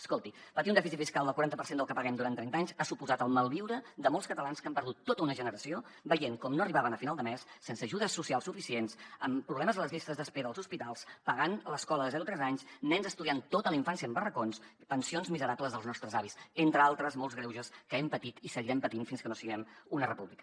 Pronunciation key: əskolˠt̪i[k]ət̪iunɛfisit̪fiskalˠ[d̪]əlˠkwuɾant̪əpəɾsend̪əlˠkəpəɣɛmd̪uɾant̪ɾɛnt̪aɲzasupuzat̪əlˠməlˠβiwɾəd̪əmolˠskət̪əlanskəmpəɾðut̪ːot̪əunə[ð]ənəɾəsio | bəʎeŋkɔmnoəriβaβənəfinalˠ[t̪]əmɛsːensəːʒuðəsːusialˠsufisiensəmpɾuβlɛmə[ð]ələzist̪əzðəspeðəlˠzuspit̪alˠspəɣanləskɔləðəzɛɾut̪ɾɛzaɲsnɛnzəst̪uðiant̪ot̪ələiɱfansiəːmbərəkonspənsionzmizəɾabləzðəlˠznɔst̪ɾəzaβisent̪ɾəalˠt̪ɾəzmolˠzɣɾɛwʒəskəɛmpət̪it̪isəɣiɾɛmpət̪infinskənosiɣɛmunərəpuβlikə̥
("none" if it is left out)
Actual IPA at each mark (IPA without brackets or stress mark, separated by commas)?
p, d̪, ʒ, d̪, z